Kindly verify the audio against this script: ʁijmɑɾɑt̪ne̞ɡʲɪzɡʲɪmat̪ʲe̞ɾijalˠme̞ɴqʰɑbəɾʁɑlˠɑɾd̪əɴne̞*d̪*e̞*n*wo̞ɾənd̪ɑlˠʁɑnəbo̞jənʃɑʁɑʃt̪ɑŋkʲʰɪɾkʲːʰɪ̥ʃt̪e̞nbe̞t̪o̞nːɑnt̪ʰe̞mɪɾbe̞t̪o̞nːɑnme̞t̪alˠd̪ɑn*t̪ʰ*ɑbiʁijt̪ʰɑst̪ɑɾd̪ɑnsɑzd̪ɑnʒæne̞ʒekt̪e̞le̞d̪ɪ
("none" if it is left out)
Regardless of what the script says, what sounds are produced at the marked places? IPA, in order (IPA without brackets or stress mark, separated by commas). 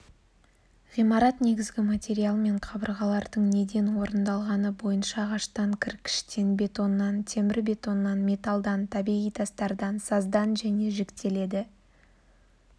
d̪, n, t̪ʰ